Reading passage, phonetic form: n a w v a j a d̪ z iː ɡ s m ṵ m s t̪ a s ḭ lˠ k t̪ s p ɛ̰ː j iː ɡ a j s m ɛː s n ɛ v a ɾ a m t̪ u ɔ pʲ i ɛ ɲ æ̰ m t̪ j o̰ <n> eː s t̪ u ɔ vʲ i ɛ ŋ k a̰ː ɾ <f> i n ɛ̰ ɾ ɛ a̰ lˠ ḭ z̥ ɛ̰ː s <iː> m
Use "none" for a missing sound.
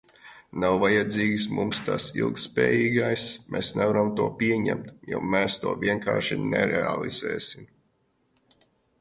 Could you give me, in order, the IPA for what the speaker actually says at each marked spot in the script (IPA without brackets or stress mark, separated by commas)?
m, ʃ, i